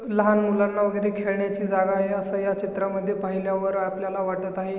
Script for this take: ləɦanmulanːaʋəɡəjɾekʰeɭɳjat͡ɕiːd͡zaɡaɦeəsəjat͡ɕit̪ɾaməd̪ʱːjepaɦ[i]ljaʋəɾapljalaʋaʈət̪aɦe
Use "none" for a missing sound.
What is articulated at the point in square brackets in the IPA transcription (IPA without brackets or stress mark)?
i